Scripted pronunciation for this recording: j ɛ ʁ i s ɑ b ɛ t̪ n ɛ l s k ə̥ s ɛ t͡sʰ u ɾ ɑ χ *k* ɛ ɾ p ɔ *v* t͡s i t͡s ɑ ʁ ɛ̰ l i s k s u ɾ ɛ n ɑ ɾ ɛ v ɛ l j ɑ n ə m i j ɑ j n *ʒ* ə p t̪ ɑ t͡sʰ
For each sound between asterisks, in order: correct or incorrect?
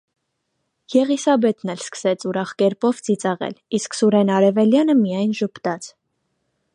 correct, correct, correct

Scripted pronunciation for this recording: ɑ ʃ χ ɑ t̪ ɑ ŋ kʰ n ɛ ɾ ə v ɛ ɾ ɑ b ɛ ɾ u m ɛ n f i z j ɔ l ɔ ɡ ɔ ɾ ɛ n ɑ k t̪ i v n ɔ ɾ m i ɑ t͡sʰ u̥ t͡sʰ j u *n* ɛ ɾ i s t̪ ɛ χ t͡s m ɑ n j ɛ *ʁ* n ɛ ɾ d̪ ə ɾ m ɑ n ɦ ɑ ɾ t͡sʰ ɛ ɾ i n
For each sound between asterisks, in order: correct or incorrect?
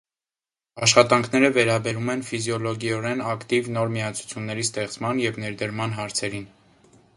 incorrect: nː, incorrect: v

